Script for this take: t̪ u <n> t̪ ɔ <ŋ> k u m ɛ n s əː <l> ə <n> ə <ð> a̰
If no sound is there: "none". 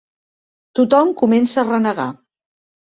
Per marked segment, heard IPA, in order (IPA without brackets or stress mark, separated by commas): none, m, r, n, ɣ